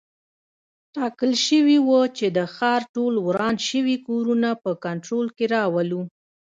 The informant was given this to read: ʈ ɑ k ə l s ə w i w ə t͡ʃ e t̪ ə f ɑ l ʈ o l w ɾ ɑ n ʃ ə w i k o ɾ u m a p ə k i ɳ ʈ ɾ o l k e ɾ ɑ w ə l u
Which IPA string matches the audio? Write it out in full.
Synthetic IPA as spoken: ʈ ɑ k ə l ʃ ə w i w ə t͡ʃ e d̪ ə x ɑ ɾ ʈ o l w ɾ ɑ n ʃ ə w i k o ɾ u n a p ə k a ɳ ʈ ɾ o l k e ɾ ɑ w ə l u